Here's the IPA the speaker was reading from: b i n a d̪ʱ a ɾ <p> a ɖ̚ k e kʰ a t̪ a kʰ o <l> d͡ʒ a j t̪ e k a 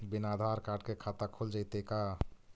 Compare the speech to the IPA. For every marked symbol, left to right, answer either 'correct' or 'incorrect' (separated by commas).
incorrect, correct